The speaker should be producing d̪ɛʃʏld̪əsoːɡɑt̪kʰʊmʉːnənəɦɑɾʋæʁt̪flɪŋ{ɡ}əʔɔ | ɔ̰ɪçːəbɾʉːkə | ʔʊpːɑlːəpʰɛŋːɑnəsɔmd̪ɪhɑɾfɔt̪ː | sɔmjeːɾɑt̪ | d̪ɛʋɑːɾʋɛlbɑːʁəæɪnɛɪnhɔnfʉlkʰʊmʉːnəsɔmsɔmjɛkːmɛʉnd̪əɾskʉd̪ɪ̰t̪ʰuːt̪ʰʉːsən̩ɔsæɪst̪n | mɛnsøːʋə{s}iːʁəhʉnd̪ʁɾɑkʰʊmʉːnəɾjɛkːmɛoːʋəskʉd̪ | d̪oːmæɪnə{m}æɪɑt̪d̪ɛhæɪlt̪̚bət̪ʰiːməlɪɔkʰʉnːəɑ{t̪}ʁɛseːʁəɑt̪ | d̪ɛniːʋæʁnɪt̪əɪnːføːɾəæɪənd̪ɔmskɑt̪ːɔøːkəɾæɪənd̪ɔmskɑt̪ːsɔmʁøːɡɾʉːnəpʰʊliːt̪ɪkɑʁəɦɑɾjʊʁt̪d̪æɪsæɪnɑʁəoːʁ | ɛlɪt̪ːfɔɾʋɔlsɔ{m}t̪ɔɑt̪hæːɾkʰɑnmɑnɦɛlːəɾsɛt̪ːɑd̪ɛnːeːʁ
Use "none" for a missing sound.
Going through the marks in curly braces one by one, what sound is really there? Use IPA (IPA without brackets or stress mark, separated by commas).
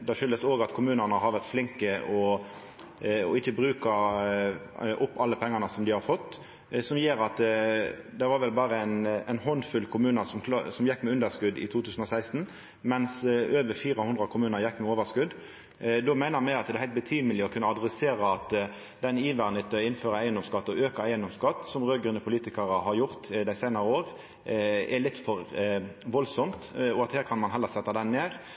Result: k, f, m, d̪, m